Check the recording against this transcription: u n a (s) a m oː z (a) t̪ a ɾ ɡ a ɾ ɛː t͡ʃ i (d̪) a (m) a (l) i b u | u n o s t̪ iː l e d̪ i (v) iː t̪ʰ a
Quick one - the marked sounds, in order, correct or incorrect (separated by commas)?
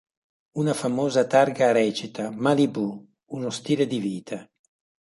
incorrect, correct, incorrect, correct, correct, correct